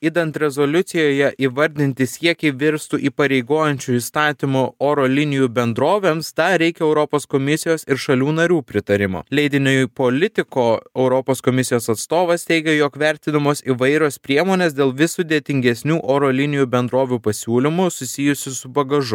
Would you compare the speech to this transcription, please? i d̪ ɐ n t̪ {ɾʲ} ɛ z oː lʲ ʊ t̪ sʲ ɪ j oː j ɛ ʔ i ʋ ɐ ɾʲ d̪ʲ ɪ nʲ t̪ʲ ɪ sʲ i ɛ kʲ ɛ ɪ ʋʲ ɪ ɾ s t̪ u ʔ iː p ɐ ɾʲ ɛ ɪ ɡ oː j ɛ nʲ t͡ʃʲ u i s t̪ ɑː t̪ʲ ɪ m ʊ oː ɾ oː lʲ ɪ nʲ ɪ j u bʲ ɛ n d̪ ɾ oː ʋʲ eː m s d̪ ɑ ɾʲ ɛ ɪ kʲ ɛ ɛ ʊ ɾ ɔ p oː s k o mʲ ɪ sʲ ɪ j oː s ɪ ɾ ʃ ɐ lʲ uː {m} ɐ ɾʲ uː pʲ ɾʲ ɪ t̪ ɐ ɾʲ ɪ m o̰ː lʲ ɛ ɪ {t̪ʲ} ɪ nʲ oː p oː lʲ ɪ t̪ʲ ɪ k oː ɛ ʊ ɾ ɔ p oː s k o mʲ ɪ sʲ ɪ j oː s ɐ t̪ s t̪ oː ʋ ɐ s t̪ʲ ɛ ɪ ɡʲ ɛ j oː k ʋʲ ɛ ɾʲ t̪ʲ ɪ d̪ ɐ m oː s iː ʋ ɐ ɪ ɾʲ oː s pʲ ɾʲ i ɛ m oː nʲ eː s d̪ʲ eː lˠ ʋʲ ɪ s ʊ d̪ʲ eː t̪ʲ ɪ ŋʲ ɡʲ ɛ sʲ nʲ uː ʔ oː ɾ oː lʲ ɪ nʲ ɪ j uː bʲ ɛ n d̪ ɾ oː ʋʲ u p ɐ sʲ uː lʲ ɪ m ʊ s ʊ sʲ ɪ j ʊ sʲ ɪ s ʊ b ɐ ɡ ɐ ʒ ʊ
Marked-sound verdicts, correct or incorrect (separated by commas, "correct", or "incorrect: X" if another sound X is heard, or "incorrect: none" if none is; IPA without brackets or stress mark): correct, incorrect: n, incorrect: d̪ʲ